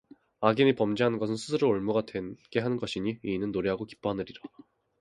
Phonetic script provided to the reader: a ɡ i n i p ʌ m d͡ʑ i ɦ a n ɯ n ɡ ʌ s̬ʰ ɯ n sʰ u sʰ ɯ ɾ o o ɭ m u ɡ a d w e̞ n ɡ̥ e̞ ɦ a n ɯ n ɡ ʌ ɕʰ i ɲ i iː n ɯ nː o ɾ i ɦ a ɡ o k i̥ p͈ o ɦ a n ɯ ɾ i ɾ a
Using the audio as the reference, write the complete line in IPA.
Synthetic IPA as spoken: a ɡ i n i p ʌ m d͡ʑ i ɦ a n ɯ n ɡ ʌ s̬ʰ ɯ n sʰ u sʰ ɯ ɾ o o ɭ m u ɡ a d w e̞ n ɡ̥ e̞ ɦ a n ɯ n ɡ ʌ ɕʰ i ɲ i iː n ɯ nː o ɾ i ɦ a ɡ o k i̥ p͈ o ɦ a n ɯ ɾ i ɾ a

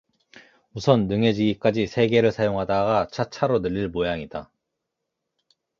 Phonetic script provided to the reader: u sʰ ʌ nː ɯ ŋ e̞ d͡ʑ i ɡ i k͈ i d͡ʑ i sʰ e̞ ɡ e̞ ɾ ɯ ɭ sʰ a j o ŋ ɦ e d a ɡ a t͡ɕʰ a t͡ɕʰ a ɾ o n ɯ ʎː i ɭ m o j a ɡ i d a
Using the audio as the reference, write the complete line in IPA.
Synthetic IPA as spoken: u sʰ ʌ nː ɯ ŋ e̞ d͡ʑ i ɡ i k͈ a d͡ʑ i sʰ e̞ ɡ e̞ ɾ ɯ ɭ sʰ a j o ŋ ɦ a d a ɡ a t͡ɕʰ a t͡ɕʰ a ɾ o n ɯ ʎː i ɭ m o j a ŋ i d a

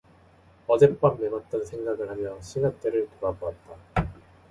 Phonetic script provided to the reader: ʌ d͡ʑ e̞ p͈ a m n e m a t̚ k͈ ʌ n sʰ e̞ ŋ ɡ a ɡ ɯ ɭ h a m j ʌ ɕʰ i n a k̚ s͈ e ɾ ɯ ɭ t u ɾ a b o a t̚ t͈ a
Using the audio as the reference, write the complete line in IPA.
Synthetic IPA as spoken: ʌ d͡ʑ e̞ p͈ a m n e m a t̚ t͈ ʌ n sʰ e̞ ŋ ɡ a ɡ ɯ ɭ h a m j ʌ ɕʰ i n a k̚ t͈ e ɾ ɯ ɭ t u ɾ a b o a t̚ t͈ a

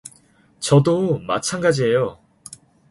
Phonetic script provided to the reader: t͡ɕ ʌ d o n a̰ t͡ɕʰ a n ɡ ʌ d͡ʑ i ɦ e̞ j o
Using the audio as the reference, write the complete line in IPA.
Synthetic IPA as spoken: t͡ɕ ʌ d o m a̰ t͡ɕʰ a n ɡ a d͡ʑ i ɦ e̞ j o

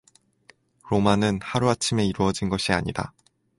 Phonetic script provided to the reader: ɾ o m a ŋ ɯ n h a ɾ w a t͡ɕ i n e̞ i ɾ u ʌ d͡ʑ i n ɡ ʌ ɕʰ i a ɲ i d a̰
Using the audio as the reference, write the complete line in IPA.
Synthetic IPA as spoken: ɾ o m a n ɯ n h a ɾ u a t͡ɕʰ i m e̞ i ɾ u ʌ d͡ʑ i n ɡ ʌ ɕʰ i a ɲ i d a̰

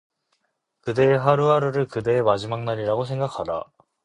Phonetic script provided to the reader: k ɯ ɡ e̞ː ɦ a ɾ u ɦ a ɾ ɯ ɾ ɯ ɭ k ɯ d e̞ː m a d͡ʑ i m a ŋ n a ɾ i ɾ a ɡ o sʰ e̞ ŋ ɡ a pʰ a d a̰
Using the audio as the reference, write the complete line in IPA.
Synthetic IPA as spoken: k ɯ d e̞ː ɦ a ɾ u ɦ a ɾ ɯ ɾ ɯ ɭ k ɯ d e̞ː m a d͡ʑ i m a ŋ n a ɾ i ɾ a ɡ o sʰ e̞ ŋ ɡ a kʰ a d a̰

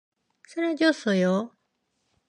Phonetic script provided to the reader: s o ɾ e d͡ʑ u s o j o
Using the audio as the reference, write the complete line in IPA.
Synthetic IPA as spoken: s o ɾ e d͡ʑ o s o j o

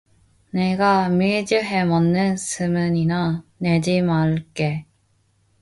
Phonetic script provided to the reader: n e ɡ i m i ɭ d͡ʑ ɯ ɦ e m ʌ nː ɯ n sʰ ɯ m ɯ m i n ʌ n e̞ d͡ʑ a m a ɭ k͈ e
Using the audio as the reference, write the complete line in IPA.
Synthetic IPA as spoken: n e ɡ a m i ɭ d͡ʑ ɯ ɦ e m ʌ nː ɯ n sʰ ɯ m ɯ ɲ i n a n e̞ d͡ʑ i m a ɭ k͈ e

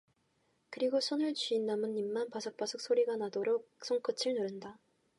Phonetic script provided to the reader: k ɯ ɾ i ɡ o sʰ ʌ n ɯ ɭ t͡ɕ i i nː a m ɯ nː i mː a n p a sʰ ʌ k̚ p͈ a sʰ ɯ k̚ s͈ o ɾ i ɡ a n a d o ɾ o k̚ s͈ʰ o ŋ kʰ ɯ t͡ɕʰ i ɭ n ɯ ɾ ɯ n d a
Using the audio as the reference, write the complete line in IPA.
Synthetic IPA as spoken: k ɯ ɾ i ɡ o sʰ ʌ n ɯ ɭ t͡ɕ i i nː a m ɯ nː i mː a n p a sʰ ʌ k̚ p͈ a sʰ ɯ k̚ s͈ o ɾ i ɡ a n a d o ɾ o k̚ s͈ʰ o ŋ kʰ ɯ t͡ɕʰ i ɭ n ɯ ɾ ɯ n d a

